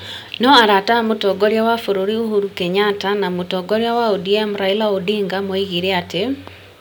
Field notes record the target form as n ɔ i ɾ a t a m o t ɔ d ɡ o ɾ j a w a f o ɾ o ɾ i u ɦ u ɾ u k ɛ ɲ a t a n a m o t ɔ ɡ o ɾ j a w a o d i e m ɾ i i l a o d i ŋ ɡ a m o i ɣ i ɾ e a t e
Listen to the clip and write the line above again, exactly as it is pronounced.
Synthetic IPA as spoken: n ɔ a ɾ a t a m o t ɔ ɡ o ɾ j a w a f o ɾ o ɾ i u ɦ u ɾ u k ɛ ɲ a t a n a m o t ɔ ɡ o ɾ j a w a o d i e m ɾ a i l a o d i ŋ ɡ a m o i ɣ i ɾ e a t e